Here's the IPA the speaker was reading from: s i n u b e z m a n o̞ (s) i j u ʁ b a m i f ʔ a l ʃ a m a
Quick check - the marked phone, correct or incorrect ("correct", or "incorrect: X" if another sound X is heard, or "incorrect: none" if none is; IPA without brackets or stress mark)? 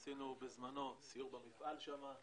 correct